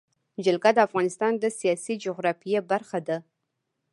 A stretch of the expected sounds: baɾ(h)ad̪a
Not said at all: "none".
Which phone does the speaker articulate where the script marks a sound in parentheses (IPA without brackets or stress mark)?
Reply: x